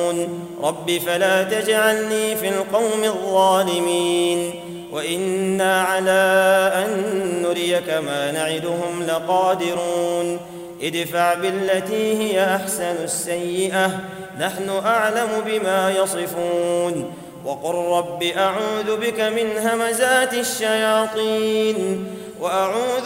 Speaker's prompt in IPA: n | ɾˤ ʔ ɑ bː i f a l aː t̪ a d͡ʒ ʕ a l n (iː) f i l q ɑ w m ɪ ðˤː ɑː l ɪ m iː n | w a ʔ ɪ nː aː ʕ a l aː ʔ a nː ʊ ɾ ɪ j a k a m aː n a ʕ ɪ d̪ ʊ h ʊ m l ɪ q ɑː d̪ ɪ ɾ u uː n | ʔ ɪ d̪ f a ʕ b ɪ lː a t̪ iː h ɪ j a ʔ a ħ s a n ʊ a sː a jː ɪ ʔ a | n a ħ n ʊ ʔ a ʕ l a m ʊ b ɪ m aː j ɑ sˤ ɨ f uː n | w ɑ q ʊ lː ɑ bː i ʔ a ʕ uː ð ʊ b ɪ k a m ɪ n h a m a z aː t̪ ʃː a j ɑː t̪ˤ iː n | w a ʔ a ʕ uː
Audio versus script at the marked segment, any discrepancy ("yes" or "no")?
no